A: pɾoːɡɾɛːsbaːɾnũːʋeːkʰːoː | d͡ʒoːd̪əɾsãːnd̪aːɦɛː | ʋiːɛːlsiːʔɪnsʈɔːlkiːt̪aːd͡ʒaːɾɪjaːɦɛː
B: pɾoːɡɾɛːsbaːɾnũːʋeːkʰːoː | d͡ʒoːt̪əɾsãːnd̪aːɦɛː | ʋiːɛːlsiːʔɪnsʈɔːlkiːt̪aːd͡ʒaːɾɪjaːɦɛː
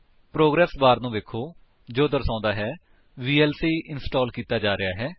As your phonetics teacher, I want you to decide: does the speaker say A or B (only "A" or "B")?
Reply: A